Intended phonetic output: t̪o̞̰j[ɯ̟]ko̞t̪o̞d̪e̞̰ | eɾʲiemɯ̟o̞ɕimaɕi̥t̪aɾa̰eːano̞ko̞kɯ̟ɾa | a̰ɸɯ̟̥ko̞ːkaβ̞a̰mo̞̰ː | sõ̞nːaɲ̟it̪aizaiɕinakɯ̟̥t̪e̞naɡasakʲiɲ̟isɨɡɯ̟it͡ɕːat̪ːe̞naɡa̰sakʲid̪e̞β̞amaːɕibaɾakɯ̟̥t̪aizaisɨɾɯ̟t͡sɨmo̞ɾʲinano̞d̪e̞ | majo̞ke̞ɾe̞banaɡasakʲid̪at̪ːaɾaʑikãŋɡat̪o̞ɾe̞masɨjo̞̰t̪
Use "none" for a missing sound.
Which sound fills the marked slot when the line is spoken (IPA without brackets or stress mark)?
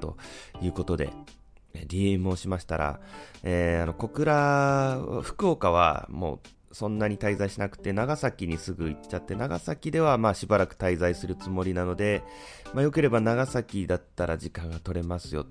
ɯ̟ː